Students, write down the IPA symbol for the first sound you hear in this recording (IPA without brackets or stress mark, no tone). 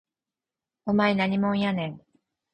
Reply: o